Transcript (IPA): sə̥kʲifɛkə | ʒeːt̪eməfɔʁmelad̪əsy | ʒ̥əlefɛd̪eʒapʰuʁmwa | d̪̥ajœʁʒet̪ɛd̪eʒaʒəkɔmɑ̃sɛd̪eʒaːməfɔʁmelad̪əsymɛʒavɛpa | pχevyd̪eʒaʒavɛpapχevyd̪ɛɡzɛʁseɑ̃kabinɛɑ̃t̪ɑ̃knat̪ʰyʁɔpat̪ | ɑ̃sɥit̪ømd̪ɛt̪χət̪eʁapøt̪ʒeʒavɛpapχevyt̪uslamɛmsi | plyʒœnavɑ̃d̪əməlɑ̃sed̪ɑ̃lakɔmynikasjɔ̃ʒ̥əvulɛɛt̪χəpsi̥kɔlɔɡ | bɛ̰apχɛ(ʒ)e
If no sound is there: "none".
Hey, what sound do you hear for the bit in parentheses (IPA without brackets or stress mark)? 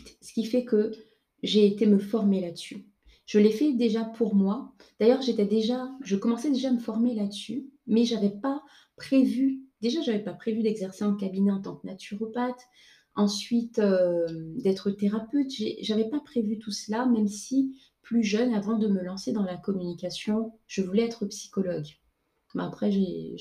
ʒ